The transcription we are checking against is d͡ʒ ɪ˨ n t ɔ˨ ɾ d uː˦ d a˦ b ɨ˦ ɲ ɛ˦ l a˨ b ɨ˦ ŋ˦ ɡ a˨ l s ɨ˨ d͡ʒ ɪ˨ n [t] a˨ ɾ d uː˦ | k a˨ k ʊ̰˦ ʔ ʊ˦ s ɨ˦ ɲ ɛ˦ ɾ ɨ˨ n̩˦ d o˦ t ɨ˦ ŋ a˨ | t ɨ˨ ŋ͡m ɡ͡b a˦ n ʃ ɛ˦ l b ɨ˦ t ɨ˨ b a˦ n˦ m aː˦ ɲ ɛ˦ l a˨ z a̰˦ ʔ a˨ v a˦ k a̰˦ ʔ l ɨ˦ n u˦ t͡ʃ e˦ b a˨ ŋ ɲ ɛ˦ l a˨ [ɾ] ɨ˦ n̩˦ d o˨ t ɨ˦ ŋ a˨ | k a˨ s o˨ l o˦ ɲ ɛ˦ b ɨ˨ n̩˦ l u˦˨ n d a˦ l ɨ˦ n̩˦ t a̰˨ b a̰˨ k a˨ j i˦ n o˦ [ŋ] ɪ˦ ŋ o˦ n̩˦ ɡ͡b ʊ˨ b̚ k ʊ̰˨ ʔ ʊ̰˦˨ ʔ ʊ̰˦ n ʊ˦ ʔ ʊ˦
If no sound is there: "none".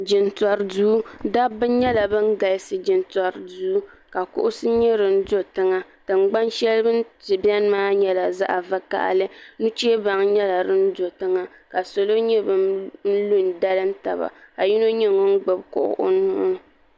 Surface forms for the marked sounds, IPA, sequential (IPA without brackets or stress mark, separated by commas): t, ɾ, ɲ